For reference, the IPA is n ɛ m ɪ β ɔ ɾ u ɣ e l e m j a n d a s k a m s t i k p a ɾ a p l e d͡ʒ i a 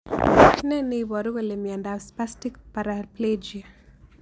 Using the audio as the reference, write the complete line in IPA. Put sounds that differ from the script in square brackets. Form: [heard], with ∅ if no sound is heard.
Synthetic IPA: n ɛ [n] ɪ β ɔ ɾ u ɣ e l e m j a n d a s [p] a [∅] s t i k p a ɾ a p l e d͡ʒ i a